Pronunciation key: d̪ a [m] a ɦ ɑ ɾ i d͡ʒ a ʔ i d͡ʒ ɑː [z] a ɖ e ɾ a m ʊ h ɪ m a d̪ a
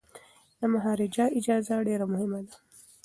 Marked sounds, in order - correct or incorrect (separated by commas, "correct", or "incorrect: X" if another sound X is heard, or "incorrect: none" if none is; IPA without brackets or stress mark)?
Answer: correct, correct